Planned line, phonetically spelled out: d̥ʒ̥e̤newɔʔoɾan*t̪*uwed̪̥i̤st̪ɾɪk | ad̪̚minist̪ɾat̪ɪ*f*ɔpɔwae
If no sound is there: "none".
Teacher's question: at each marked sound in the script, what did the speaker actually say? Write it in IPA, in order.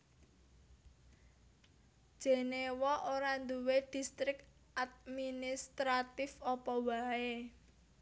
d̪, f

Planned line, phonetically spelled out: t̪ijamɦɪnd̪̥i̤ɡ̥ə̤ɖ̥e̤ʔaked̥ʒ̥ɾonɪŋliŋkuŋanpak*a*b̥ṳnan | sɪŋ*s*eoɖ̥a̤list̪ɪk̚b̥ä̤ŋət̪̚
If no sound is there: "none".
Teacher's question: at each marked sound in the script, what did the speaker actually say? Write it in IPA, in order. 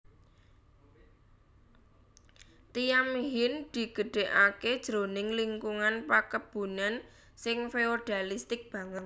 ə, f

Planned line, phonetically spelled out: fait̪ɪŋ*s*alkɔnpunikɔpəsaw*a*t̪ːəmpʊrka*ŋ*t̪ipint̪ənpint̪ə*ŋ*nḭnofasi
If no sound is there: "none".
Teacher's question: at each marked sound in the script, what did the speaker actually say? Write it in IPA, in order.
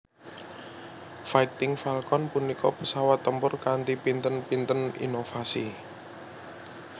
f, a, n, none

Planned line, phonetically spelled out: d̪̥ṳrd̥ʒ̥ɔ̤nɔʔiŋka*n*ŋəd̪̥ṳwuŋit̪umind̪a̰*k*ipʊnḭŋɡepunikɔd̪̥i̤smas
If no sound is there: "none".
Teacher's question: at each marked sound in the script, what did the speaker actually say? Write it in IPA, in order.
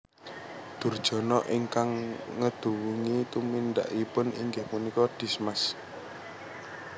ŋ, ʔ

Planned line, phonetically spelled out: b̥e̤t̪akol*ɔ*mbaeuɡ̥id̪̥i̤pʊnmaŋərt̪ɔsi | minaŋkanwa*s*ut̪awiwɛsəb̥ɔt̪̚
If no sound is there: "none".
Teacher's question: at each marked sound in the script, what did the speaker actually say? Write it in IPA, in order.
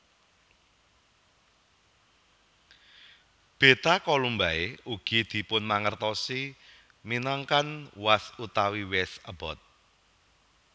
u, s

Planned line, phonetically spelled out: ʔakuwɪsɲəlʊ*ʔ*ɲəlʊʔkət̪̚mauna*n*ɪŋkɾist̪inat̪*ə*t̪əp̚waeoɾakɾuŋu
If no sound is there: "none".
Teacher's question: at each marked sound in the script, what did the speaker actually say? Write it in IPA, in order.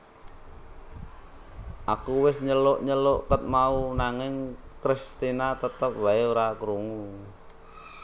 ʔ, ŋ, ə

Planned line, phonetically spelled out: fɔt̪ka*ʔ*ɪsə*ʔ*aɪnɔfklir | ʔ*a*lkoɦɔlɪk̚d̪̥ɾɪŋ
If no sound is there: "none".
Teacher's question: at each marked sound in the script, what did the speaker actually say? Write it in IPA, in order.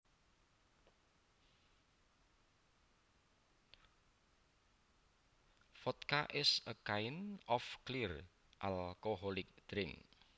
ʔ, k, a

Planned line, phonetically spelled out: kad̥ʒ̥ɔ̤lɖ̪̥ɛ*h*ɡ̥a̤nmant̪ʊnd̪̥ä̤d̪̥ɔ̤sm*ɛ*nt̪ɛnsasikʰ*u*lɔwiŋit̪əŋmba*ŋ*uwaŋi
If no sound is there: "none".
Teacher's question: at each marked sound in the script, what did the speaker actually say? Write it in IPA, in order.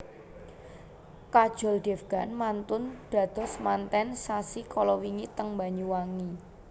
f, a, ɔ, ɲ

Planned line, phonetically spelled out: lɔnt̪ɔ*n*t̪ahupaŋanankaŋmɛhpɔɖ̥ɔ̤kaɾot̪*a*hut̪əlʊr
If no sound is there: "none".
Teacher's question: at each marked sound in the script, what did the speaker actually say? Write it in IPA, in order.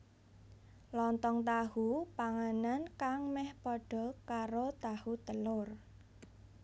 ŋ, a

